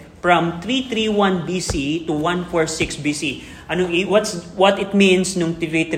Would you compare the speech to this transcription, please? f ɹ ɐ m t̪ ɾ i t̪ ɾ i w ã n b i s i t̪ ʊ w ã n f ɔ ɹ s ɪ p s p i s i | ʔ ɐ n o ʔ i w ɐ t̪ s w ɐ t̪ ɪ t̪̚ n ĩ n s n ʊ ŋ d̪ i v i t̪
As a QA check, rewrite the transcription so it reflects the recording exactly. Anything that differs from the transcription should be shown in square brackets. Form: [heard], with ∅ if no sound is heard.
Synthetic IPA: f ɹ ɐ m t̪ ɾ i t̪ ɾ i w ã n b i s i t̪ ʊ w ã n f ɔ ɹ s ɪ [k] s [b] i s i | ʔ ɐ n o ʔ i w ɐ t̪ s w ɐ t̪ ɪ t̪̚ [m] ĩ n s n ʊ ŋ [t̪] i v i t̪